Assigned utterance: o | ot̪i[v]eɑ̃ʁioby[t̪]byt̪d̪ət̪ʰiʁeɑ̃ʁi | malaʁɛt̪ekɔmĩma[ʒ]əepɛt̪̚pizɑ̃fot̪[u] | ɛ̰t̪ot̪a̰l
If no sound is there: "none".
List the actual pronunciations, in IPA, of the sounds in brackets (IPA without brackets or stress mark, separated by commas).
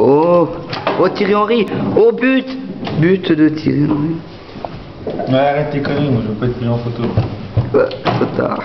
ʁ, t̪, ʒ, o